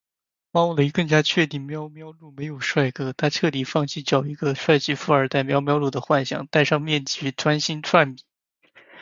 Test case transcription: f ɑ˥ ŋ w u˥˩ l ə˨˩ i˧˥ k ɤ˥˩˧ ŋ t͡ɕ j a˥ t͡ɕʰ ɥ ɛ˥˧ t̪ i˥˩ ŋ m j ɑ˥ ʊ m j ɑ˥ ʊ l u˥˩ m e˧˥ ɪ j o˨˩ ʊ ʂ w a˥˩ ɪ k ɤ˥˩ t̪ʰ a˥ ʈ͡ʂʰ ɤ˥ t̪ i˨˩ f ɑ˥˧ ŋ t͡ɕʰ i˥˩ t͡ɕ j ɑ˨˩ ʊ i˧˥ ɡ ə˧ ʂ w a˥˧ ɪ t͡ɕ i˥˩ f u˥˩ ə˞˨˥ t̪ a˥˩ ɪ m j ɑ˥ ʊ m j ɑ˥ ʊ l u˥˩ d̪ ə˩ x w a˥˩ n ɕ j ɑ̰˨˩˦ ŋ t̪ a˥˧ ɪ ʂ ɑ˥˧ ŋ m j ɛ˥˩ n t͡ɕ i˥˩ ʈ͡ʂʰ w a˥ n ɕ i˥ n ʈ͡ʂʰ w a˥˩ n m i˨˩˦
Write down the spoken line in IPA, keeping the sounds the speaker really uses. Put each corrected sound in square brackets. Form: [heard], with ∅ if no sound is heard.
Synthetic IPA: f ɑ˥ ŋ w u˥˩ l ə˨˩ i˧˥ k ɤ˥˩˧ ŋ t͡ɕ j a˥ t͡ɕʰ ɥ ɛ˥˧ t̪ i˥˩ ŋ m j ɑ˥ ʊ m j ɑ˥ ʊ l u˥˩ m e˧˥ ɪ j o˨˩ ʊ ʂ w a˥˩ ɪ k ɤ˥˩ t̪ʰ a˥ ʈ͡ʂʰ [ɤ˥˩] t̪ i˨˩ f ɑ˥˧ ŋ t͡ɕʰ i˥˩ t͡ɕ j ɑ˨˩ ʊ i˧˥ ɡ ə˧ ʂ w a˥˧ ɪ t͡ɕ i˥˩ f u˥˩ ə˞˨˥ t̪ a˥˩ ɪ m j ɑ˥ ʊ m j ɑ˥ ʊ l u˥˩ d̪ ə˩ x w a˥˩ n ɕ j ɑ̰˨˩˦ ŋ t̪ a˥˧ ɪ ʂ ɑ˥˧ ŋ m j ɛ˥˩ n t͡ɕ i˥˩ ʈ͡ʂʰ w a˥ n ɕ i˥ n ʈ͡ʂʰ w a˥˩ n m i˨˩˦